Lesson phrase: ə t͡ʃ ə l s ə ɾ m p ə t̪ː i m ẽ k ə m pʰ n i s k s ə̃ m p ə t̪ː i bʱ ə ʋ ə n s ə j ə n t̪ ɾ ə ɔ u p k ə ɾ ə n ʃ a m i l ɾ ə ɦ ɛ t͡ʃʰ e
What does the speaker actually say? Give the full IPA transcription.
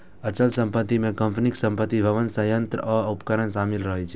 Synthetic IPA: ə t͡ʃ ə l s ə m p ə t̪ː i m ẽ k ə m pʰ n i k s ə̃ m p ə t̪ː i bʱ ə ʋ ə n s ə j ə n t̪ ɾ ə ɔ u p k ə ɾ ə n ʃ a m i l ɾ ə ɦ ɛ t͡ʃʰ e